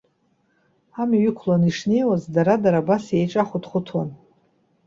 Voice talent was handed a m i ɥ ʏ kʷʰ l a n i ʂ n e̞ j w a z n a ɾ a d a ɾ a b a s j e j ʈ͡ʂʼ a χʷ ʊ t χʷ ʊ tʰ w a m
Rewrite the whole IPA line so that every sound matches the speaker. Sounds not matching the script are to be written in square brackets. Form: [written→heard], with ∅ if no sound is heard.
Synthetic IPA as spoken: a m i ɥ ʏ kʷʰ l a n i ʂ n e̞ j w a z [n→d] a ɾ a d a ɾ a b a s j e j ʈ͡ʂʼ a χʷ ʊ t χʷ ʊ tʰ w a [m→n]